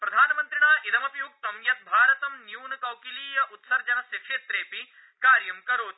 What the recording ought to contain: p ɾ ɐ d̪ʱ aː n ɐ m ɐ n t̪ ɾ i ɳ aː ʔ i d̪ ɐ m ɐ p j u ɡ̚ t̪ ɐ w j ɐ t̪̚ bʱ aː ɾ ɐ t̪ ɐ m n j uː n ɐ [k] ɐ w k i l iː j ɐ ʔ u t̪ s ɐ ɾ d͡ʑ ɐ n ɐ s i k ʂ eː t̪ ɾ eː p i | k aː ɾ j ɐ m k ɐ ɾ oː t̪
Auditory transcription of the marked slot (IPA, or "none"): k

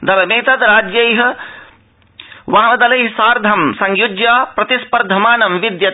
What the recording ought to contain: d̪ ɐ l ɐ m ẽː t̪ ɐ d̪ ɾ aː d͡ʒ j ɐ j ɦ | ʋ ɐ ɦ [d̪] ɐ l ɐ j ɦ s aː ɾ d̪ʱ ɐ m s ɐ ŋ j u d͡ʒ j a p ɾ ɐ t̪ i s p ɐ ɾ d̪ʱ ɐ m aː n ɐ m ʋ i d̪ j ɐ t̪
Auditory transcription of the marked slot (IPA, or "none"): d̪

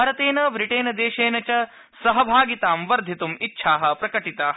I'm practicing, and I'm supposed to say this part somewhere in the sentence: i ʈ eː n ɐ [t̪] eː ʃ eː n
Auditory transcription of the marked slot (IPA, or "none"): d̪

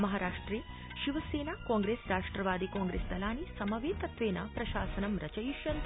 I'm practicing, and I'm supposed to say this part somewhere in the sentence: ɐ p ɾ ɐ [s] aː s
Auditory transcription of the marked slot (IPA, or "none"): ʃ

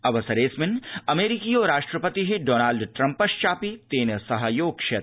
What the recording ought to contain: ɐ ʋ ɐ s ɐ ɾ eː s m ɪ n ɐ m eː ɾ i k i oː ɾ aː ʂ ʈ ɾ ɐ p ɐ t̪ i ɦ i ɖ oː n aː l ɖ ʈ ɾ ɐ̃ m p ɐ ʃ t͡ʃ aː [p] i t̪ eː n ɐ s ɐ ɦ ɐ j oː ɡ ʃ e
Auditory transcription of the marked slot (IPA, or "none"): p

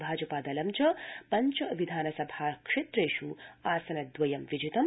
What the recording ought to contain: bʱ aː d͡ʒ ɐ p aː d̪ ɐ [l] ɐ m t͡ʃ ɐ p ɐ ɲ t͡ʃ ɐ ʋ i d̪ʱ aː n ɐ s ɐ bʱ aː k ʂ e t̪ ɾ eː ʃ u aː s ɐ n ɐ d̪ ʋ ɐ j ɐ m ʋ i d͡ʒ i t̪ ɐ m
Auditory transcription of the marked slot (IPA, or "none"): l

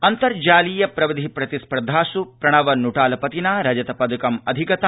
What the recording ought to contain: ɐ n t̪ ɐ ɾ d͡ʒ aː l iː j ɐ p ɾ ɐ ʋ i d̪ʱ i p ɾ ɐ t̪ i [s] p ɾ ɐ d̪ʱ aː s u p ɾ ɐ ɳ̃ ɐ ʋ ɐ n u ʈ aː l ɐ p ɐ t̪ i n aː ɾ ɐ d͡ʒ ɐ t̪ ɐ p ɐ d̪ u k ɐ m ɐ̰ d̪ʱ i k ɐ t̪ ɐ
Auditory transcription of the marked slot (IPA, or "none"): s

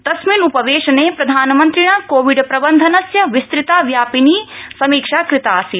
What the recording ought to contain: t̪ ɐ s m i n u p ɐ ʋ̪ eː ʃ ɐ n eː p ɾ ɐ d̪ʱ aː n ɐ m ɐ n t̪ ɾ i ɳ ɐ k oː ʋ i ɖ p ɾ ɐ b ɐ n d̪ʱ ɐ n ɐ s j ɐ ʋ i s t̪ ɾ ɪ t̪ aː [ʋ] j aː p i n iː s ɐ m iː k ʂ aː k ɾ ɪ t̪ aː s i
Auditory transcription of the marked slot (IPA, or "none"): ʋ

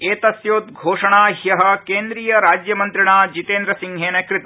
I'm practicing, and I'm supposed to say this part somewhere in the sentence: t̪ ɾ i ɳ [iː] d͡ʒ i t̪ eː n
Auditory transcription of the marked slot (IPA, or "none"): aː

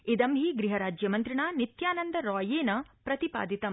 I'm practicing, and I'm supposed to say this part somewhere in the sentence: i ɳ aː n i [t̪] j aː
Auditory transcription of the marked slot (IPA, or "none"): t̪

